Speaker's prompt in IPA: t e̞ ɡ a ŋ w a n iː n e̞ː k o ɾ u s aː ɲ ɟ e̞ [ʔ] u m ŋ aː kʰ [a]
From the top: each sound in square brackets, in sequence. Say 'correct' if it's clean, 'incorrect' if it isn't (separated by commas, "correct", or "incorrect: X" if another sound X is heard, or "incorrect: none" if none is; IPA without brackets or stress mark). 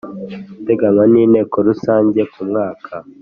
incorrect: k, correct